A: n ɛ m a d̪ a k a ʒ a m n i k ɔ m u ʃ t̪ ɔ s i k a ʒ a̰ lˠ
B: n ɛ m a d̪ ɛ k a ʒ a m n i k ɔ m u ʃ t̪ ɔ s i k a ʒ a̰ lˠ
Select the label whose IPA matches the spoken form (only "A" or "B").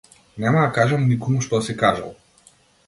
A